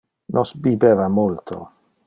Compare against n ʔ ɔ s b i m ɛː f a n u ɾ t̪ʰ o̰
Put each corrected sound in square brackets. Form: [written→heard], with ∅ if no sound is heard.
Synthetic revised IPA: n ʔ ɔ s b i [m→b] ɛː [f→v] a [n→m] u [ɾ→l] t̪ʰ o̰